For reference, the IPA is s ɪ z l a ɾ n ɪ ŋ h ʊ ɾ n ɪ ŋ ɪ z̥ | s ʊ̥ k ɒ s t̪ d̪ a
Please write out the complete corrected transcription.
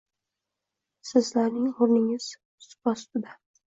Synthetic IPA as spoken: s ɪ z l a ɾ n ɪ ŋ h ʊ ɾ n ɪ ŋ ɪ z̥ | s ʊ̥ p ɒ s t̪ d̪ a